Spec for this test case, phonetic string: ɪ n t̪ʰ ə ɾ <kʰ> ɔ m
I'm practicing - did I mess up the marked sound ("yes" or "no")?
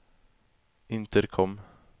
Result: no